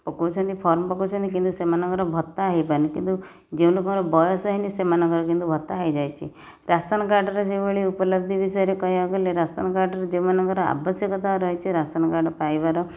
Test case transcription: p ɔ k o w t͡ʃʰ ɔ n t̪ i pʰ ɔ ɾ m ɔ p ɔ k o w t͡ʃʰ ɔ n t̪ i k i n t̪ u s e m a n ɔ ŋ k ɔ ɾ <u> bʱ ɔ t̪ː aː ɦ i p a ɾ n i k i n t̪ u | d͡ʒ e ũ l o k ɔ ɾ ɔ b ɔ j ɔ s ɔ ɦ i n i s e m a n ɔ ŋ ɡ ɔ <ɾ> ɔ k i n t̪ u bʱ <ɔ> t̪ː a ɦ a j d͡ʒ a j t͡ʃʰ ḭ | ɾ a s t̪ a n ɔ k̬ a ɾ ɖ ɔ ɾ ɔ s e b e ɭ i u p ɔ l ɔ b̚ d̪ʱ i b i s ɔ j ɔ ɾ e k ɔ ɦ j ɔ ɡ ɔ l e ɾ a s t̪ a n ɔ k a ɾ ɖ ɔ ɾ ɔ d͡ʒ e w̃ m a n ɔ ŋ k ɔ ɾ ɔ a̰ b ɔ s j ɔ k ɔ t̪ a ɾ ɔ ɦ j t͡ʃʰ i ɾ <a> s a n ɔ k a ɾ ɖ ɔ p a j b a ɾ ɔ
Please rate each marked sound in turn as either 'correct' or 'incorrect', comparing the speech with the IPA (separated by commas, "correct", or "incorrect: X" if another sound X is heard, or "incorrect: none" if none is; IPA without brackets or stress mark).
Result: incorrect: ɔ, correct, correct, correct